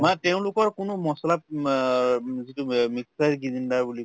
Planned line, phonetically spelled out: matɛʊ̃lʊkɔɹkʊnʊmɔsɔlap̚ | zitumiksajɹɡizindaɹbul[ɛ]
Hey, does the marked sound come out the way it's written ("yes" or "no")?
no